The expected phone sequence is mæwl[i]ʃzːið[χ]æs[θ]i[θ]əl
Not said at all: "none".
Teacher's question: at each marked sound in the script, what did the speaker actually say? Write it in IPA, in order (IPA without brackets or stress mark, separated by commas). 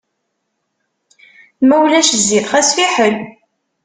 æ, χ, f, ħ